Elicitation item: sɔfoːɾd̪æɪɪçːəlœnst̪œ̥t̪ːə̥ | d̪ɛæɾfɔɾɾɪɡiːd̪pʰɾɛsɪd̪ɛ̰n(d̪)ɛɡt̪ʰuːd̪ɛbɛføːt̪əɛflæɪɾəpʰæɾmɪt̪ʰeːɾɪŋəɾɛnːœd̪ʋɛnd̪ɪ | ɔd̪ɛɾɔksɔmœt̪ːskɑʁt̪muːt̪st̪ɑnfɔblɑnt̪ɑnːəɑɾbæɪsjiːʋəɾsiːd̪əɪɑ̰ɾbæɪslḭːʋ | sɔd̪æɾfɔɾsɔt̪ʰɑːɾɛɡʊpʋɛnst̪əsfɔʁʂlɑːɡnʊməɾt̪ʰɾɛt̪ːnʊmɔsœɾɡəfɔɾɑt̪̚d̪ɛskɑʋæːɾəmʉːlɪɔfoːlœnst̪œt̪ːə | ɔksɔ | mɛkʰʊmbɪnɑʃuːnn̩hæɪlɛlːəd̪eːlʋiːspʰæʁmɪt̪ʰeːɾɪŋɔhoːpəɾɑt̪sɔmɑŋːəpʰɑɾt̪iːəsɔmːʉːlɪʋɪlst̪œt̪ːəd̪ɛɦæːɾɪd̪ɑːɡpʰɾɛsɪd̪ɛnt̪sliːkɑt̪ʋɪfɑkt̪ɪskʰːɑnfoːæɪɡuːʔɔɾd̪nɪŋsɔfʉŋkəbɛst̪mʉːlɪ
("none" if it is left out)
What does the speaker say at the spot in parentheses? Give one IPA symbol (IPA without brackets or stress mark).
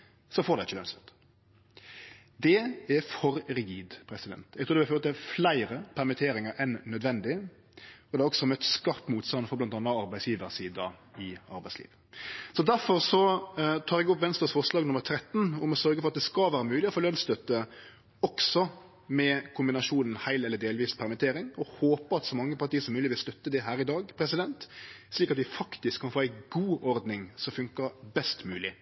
t̪